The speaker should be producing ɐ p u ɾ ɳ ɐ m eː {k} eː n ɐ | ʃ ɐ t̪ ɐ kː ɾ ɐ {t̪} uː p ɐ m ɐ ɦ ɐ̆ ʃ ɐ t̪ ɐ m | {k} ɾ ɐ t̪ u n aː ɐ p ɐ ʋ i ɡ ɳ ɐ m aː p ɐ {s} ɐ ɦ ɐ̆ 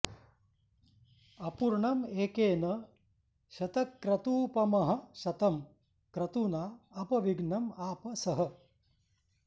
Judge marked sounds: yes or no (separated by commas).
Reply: yes, yes, yes, yes